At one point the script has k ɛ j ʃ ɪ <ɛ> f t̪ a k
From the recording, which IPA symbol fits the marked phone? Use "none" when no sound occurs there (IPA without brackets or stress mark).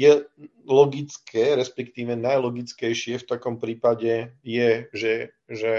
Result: ɛ